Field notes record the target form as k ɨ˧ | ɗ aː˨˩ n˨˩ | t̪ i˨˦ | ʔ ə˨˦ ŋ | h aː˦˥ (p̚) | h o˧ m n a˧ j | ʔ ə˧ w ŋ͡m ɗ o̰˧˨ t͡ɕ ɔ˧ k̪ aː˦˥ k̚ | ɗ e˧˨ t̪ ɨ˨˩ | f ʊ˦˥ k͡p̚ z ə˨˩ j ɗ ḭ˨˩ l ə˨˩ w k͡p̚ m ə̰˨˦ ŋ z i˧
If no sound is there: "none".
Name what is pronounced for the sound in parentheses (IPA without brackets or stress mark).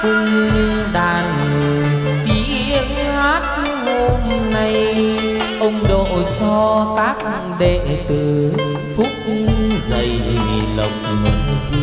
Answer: t̚